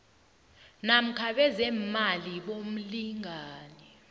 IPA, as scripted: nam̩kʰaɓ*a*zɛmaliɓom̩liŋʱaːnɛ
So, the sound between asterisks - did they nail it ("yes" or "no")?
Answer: no